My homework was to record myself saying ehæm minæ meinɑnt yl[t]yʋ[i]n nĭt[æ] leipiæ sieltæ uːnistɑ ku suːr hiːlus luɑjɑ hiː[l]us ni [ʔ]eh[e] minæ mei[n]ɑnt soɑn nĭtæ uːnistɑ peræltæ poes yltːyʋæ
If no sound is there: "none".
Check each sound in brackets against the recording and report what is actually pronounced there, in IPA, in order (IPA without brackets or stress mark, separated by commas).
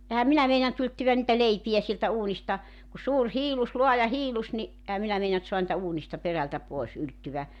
t, æ, æ, l, ʔ, æ, n